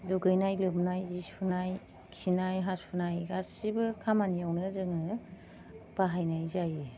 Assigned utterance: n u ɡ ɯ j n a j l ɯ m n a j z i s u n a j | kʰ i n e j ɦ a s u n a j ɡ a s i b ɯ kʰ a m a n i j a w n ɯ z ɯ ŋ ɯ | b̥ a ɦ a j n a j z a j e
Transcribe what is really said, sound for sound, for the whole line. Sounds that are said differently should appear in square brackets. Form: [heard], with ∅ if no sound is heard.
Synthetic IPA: [d] u ɡ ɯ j n a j l ɯ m n a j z i s u n a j | kʰ i n [a] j ɦ a s u n a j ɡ a s i b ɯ kʰ a m a n i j a w n ɯ z ɯ ŋ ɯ | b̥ a ɦ a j n a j z a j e